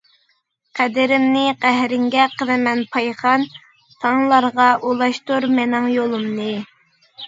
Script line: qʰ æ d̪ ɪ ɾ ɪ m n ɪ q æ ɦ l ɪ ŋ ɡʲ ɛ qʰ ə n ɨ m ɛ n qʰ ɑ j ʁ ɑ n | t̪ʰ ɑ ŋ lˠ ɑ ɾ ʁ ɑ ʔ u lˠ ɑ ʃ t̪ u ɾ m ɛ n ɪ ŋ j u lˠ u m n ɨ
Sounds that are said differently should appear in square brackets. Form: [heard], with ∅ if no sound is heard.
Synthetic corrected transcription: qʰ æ d̪ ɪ ɾ ɪ m n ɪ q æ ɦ [ɾ] ɪ ŋ ɡʲ ɛ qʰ ə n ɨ m ɛ n [pʰ] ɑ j [χ] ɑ n | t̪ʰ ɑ ŋ lˠ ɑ ɾ ʁ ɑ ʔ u lˠ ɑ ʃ t̪ u ɾ m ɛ n ɪ ŋ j [o] lˠ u m n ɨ